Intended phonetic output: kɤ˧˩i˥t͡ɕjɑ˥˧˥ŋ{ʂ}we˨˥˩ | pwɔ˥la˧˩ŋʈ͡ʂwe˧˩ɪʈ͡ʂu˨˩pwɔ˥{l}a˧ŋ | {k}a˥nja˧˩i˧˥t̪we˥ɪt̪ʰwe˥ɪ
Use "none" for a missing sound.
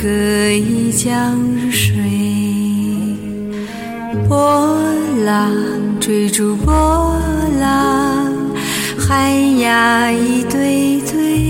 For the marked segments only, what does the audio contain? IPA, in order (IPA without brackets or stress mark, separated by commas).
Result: ʂ, l, x